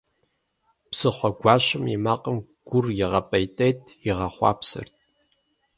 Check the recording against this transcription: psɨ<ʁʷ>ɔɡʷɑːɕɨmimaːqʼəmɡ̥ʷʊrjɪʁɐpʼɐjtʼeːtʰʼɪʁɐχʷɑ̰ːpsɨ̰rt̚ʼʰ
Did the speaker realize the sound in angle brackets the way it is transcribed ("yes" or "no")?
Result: no